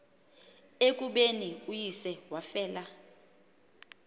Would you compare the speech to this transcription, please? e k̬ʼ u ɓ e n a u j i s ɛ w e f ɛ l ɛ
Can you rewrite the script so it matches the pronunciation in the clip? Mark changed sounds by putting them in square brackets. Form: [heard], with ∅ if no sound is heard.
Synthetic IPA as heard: e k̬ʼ u ɓ e n [i] u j i s ɛ w [a] f [ɛː] l [a]